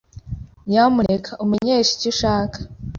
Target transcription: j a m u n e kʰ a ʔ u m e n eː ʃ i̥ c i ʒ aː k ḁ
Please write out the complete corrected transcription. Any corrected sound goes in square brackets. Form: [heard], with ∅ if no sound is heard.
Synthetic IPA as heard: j a m u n e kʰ a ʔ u m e [ɲ] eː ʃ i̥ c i [ʃ] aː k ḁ

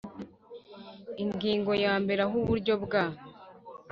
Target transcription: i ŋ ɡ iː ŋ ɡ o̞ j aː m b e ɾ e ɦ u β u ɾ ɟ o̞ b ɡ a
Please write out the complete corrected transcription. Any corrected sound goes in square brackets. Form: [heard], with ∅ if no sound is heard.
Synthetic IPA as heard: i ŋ ɡ iː ŋ ɡ o̞ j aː m b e ɾ [a] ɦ u β u ɾ ɟ o̞ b ɡ a

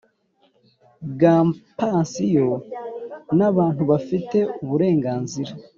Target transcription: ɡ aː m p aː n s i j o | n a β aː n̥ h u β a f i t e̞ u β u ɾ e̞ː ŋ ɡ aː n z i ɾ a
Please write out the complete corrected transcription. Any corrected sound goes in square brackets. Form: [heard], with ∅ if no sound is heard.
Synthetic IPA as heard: ɡ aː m p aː n s i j o | n a β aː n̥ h u β a f i t e̞ u β u ɾ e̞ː ŋ ɡ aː n z i ɾ a

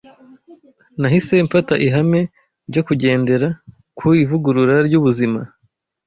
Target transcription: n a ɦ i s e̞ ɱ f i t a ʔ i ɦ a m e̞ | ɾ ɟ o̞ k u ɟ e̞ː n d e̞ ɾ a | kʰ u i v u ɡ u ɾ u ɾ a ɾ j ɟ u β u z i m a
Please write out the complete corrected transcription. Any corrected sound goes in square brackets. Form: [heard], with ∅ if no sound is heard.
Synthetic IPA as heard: n a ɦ i s e̞ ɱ f [a] t a ʔ i ɦ a m e̞ | ɾ ɟ o̞ k u ɟ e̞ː n d e̞ ɾ a | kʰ u i v u ɡ u ɾ u ɾ a ɾ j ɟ u β u z i m a

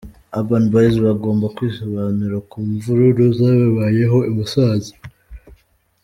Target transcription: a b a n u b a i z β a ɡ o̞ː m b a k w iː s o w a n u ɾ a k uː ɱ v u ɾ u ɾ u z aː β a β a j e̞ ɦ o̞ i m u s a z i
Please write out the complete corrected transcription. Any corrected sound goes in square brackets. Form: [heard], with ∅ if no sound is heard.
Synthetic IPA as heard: a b a n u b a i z β a ɡ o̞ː m b a k w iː s o [β] a n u ɾ a k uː ɱ v u ɾ u ɾ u z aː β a β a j e̞ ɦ o̞ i m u s a z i

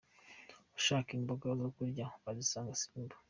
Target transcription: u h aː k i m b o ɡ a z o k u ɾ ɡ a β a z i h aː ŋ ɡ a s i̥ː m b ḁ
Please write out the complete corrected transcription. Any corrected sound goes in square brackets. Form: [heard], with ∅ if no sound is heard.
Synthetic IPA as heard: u [ʃ] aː k i m b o ɡ a z o k u ɾ [ɟ] a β a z i [s] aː ŋ ɡ a s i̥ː m b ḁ

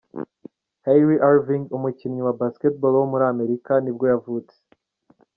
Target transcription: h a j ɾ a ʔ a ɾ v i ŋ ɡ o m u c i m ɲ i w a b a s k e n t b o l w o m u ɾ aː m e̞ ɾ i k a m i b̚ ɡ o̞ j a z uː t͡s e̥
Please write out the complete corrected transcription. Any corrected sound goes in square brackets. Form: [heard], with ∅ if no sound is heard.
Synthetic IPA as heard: h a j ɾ [i] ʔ a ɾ v i ŋ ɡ [u] m u c i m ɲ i w a b a s k e [∅] t b o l w o m u ɾ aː m e̞ ɾ i k a [n] i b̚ ɡ o̞ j a [v] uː t͡s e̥

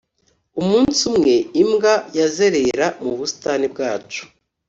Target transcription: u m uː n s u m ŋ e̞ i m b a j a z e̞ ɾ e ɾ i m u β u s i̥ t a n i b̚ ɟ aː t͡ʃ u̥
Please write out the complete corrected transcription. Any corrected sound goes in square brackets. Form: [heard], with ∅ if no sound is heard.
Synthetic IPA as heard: u m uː n s u m ŋ e̞ i m [ɡ] a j a z e̞ ɾ e ɾ [a] m u β u s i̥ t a n i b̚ [ɡ] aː t͡ʃ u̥

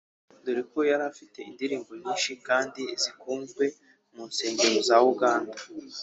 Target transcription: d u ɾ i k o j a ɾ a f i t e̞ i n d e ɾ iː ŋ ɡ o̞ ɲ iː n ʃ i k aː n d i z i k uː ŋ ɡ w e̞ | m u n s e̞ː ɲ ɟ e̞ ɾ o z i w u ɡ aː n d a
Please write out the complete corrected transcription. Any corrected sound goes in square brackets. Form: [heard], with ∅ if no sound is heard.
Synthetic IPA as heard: d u ɾ i k o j a ɾ a f i t e̞ i n d [i] ɾ iː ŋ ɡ o̞ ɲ iː n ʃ i k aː n d i z i k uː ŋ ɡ w e̞ | m u n s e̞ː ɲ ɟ e̞ ɾ o z [a] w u ɡ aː n d a

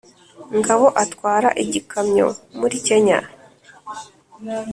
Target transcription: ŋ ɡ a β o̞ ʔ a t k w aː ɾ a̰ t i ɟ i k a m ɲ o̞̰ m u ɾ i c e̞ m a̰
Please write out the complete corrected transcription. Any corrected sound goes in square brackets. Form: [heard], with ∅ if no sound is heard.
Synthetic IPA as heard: ŋ ɡ a β o̞ ʔ a t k w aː ɾ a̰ [ʔ] i ɟ i k a m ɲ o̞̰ m u ɾ i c e̞ [ɲ] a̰

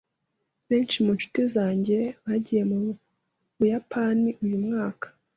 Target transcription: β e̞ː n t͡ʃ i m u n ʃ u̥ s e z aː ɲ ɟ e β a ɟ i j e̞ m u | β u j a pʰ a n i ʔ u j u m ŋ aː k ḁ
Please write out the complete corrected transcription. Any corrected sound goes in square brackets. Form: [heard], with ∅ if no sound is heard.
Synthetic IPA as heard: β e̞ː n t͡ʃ i m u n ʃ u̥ [t] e z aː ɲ ɟ e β a ɟ i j e̞ m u | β u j a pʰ a n i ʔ u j u m ŋ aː k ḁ

